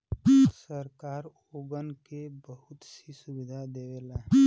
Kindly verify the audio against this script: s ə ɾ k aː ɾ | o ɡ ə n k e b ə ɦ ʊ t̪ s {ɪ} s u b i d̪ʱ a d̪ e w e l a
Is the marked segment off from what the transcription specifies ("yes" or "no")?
yes